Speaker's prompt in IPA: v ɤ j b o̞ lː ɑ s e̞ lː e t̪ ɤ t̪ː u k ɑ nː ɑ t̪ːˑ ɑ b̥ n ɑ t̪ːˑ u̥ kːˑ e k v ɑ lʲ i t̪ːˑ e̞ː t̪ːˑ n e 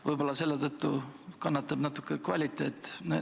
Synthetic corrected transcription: v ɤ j b o̞ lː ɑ s e̞ lː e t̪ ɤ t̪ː u k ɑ nː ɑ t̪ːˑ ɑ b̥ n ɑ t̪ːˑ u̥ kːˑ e k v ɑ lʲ i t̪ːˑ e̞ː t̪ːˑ n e

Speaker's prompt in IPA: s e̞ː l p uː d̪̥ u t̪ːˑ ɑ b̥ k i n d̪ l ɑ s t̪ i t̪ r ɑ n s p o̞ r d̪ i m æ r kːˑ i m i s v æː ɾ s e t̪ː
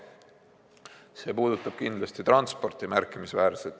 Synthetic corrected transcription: s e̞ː p uː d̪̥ u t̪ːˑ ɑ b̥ k i n d̪ l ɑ s t̪ i t̪ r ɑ n s p o̞ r t̪ i m æ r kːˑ i m i s v æː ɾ s e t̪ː

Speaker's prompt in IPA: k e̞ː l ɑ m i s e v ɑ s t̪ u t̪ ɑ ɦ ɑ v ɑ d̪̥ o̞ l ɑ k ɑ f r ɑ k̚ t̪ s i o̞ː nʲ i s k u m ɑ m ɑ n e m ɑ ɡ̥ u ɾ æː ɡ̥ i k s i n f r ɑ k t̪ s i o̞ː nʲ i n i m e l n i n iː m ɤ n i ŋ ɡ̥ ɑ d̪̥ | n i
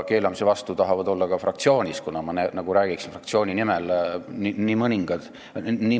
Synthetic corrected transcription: k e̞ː l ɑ m i s e v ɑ s t̪ u t̪ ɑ ɦ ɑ v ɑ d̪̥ o̞ lː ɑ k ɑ f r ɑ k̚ t̪ s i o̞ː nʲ i s k u n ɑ m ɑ n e n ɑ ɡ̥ u ɾ æː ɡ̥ i k s i n f r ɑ k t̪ s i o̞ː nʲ i n i m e l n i n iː m ɤ n i ŋ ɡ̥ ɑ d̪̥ | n i

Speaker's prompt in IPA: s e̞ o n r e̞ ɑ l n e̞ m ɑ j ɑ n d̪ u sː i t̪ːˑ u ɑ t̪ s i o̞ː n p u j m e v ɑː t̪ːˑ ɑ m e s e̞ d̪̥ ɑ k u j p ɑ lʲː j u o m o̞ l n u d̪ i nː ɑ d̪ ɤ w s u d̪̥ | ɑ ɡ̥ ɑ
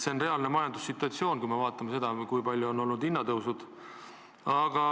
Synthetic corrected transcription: s e̞ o n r e̞ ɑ l n e̞ m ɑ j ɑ n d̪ u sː i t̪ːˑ u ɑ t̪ s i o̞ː n k u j m e v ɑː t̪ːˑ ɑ m e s e̞ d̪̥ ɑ k u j p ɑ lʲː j u o n o̞ l n u d̪ i nː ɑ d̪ ɤ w s u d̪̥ | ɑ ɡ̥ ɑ

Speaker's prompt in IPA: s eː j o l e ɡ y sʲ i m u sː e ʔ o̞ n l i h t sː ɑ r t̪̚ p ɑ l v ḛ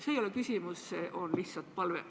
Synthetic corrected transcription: s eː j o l e k y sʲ i m u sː e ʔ o̞ n l i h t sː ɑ l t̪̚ p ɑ l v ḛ

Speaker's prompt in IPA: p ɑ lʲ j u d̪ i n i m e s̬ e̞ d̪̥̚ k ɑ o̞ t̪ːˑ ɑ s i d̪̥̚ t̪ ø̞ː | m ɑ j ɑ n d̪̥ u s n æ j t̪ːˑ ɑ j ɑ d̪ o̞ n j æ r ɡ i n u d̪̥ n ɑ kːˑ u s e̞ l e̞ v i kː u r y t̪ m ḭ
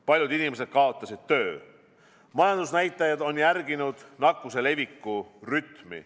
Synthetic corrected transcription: p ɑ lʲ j u d̪ i n i m e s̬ e̞ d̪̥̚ k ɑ o̞ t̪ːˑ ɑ s i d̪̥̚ t̪ ø̞ː | m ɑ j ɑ n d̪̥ u s n æ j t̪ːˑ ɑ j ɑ d̪ o̞ n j æ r ɡ i n u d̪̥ n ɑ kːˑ u s e̞ l e̞ v i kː u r y t̪ m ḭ

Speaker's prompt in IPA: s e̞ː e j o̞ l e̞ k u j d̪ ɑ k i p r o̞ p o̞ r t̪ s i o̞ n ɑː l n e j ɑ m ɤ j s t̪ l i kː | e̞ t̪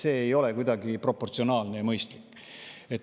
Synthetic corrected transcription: s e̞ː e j o̞ l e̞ k u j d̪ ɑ ɡ i p r o̞ p o̞ r t̪ s i o̞ n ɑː l n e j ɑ m ɤ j s t̪ l i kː | e̞ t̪

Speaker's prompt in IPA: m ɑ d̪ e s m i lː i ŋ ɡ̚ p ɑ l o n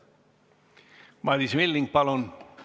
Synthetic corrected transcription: m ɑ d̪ i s m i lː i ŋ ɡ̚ p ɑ l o n

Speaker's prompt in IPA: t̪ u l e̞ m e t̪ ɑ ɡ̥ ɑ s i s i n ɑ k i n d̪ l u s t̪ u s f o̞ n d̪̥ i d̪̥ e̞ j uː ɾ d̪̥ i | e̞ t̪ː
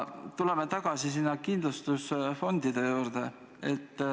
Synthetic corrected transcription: t̪ u l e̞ m e t̪ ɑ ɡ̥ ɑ s i s i nː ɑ k i n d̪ l u s t̪ u s f o̞ n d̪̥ i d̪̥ e̞ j uː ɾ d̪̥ e | e̞ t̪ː

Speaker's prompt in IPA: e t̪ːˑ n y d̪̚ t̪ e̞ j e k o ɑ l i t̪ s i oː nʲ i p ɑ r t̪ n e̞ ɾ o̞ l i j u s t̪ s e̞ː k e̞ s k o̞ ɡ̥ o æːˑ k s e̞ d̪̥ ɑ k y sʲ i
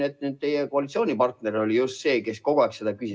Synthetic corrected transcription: e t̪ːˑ n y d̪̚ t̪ e̞ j e k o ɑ l i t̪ s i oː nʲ i p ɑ r t̪ n e̞ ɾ o̞ l i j u s t̪ s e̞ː k e̞ s k o̞ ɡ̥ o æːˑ k s e̞ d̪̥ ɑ k y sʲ i

